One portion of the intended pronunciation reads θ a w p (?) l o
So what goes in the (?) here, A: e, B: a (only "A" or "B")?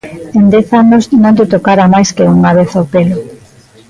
A